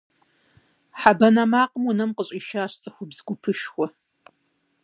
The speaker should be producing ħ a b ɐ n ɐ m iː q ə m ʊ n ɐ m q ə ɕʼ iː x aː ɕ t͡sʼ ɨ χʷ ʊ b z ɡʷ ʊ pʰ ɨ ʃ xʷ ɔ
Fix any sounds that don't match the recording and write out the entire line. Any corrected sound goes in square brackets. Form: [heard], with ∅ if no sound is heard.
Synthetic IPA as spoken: ħ a b ɐ n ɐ m [aː] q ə m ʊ n ɐ m q ə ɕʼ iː [ʃ] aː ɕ t͡sʼ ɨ [xʷ] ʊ b z ɡʷ ʊ pʰ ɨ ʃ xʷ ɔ